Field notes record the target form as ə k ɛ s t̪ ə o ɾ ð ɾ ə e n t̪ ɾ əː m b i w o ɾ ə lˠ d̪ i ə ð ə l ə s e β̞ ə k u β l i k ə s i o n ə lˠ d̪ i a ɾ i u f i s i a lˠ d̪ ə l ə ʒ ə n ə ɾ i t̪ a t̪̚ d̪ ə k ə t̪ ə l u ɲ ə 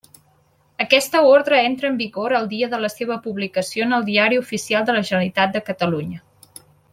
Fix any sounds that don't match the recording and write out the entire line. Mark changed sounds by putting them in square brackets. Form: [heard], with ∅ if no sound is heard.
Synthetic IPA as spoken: ə k ɛ s t̪ ə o ɾ ð ɾ ə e n t̪ ɾ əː m b i [ɣ] o ɾ ə lˠ d̪ i ə ð ə l ə s e β̞ ə [p] u β l i k ə s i o n ə lˠ d̪ i a ɾ i u f i s i a lˠ d̪ ə l ə ʒ ə n ə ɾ i t̪ a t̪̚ d̪ ə k ə t̪ ə l u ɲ ə